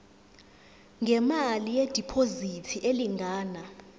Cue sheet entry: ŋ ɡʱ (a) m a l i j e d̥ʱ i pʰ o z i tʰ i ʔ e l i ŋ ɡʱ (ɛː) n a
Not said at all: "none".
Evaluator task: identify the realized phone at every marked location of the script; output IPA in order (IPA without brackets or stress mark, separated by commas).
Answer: ɛ, aː